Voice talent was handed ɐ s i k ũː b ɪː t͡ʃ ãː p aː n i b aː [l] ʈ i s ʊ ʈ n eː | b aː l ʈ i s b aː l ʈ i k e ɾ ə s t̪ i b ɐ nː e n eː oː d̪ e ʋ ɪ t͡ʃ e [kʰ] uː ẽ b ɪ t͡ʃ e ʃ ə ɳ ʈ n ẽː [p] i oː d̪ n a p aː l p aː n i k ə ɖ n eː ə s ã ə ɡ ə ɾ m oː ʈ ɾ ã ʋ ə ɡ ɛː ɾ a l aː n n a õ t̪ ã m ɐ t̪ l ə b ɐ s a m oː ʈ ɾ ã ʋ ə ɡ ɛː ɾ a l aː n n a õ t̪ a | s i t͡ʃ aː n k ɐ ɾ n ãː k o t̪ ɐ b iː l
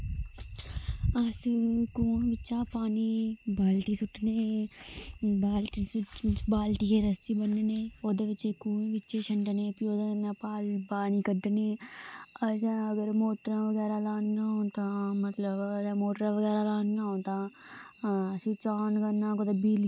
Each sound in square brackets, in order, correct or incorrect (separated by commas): correct, incorrect, correct